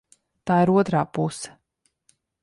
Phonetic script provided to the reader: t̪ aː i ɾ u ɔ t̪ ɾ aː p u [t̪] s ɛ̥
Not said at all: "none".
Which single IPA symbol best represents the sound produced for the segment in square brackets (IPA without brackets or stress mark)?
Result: none